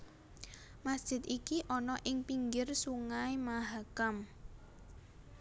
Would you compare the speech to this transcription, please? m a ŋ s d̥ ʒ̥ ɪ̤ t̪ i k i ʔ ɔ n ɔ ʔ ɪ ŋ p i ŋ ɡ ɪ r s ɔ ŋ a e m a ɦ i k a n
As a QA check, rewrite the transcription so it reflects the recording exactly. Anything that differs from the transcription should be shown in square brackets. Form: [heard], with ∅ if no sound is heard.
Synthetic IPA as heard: m a [∅] s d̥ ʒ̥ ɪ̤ t̪ i k i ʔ ɔ n ɔ ʔ ɪ ŋ p i ŋ ɡ ɪ r s [u] ŋ a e m a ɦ [a] k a [m]